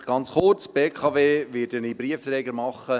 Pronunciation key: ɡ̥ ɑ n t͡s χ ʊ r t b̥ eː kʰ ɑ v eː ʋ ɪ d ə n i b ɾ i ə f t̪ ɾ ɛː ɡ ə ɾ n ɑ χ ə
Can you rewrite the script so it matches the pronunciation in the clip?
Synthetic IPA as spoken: ɡ̥ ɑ n t͡s χ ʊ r t͡s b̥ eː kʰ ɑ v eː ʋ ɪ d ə n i b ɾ i ə f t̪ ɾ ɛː ɡ ə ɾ m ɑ χ ə